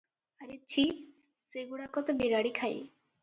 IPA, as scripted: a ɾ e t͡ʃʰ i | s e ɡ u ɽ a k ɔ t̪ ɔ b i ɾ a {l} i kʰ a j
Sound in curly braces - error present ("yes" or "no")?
yes